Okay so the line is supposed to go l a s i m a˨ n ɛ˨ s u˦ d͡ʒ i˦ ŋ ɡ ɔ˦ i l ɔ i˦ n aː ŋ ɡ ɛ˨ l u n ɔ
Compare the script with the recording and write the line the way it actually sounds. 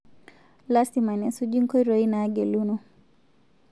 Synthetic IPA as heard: l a s i m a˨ n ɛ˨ s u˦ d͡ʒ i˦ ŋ k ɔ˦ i ɾ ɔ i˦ n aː ɡ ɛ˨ l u n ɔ